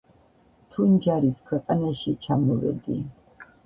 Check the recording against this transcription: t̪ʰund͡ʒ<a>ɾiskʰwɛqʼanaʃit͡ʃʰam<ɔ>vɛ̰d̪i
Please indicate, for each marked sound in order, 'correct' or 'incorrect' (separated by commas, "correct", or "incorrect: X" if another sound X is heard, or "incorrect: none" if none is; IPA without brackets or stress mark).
correct, correct